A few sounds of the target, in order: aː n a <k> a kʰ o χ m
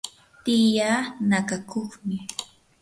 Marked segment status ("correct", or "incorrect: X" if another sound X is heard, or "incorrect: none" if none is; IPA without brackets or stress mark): correct